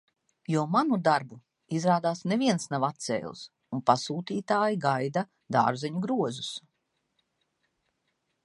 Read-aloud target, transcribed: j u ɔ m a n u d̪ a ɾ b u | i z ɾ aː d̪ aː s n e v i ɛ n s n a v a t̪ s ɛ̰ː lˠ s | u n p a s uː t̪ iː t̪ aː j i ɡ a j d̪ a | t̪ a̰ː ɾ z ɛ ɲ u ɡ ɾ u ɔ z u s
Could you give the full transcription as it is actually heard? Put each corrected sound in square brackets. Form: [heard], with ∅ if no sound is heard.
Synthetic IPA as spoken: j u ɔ m a n u d̪ a ɾ b u | i z ɾ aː d̪ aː s n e v i ɛ n s n a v a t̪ s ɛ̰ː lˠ s | u n p a s uː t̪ iː t̪ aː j i ɡ a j d̪ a | [d̪] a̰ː ɾ z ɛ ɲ u ɡ ɾ u ɔ z u s